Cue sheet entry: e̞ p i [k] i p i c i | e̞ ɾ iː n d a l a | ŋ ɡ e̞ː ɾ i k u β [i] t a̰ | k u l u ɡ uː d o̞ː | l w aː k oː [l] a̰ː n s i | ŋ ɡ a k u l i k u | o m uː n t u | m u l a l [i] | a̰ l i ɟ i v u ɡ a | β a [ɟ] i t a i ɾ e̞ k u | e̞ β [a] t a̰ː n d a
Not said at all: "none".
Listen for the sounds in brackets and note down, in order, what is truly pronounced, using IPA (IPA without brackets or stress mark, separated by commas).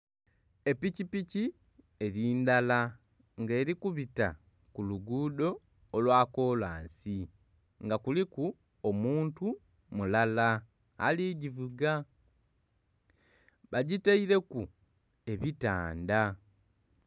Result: c, i, l, a, ɟ, i